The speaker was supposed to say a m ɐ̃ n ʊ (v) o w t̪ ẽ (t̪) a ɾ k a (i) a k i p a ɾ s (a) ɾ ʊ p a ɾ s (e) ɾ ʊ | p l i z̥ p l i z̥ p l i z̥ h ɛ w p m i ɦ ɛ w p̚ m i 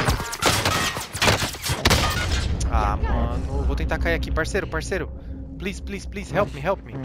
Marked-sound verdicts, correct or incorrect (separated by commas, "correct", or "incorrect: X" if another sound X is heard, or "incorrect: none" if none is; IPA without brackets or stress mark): correct, correct, correct, incorrect: e, correct